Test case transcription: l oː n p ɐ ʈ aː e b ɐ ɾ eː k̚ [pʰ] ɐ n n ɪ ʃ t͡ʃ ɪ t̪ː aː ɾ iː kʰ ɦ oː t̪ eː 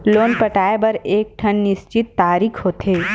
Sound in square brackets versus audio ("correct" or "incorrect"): incorrect